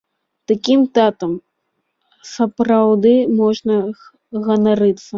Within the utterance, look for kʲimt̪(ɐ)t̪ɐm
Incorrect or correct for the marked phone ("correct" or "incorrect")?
incorrect